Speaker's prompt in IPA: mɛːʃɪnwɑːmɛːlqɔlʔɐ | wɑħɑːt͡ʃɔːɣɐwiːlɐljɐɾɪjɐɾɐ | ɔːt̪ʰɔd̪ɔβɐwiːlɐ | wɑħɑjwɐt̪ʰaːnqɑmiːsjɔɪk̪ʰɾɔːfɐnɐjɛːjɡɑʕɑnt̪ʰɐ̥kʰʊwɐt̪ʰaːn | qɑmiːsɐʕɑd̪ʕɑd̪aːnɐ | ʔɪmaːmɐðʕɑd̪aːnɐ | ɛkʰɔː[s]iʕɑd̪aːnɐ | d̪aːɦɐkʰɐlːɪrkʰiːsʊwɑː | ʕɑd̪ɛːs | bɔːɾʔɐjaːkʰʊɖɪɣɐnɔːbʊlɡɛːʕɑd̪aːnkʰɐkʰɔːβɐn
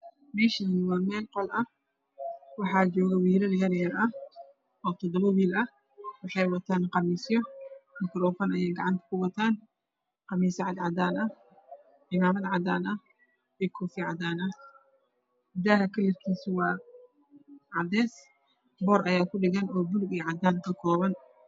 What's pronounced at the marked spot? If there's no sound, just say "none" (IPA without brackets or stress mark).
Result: f